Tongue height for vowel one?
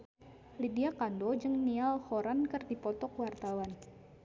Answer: high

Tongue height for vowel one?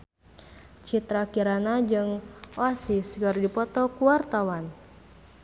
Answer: high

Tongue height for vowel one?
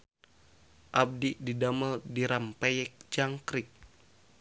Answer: low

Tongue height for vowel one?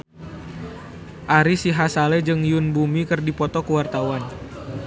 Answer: low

